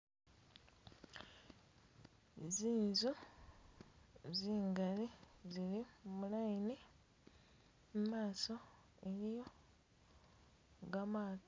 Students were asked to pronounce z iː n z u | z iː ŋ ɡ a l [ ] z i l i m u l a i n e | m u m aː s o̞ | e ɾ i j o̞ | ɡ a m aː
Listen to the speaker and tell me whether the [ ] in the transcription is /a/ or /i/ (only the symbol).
i